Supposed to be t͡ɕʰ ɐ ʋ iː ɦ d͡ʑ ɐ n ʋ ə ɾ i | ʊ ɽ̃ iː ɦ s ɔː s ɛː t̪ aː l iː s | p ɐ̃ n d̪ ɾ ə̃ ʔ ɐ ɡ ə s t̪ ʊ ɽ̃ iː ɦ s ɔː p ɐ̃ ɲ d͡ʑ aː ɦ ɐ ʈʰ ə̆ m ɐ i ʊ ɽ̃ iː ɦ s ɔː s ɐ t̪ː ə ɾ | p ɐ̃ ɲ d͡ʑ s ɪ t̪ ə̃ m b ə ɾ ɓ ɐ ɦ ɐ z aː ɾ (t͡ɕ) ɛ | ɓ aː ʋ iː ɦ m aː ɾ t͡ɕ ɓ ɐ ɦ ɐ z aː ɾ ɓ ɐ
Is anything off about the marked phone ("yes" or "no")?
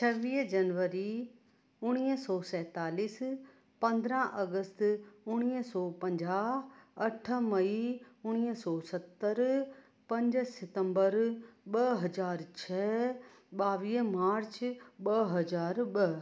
yes